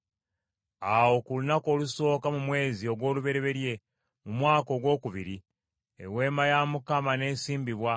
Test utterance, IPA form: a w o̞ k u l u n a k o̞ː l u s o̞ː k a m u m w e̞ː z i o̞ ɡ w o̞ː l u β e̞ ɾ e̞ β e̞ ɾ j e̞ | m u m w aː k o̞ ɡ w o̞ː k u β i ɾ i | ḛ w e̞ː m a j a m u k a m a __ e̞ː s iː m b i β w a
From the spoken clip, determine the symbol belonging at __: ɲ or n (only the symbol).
n